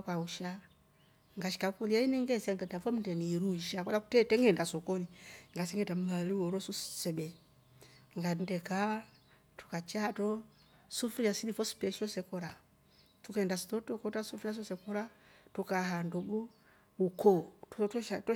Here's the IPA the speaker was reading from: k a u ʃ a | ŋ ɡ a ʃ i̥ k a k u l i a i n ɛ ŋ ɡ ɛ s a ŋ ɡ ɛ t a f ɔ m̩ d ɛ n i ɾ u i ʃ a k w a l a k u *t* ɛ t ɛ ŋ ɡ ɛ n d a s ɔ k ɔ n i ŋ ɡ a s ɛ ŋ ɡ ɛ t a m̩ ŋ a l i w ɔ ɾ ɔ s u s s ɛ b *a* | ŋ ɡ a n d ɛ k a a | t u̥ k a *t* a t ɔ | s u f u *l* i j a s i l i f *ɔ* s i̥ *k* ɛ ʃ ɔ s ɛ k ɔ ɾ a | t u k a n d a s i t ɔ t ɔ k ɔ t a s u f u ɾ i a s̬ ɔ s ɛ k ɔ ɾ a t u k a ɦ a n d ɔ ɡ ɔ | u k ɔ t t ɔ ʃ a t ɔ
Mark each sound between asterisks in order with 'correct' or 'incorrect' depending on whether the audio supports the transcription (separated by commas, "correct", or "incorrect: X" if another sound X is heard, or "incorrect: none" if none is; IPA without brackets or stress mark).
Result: correct, incorrect: ɛ, incorrect: t͡ʃ, incorrect: ɾ, correct, incorrect: p